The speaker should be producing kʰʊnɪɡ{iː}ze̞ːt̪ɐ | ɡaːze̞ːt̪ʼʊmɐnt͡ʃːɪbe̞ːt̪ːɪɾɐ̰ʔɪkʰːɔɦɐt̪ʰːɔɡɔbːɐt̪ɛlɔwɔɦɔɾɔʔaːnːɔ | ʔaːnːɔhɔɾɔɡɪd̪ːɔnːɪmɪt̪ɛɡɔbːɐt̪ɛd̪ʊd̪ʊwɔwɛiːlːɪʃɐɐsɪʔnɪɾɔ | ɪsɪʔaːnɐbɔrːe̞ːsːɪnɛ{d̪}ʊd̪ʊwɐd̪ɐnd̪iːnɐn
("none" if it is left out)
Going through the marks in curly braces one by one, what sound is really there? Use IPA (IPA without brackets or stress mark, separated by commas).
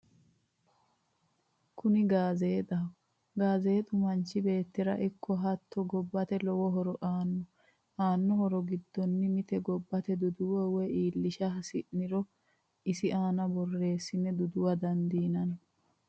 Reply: aː, d̪